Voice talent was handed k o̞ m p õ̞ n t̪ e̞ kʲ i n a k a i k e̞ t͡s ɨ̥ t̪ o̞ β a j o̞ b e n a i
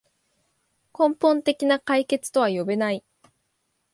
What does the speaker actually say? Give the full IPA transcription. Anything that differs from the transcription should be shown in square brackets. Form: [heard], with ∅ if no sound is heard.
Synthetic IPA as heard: k [õ̞] m p õ̞ n t̪ e̞ kʲ i n a k a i k e̞ t͡s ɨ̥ t̪ o̞ β a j o̞ b e n a i